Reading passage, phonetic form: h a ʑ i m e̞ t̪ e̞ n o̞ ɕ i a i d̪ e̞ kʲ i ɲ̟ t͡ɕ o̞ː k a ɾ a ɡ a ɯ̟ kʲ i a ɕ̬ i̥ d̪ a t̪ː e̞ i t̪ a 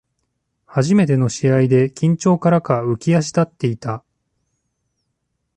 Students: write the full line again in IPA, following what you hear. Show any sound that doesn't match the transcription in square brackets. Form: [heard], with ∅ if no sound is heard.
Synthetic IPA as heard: h a ʑ i m e̞ t̪ e̞ n o̞ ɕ i a i d̪ e̞ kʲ [ĩ] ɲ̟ t͡ɕ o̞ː k a ɾ a [k] a ɯ̟ kʲ i a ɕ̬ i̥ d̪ a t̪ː e̞ i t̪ a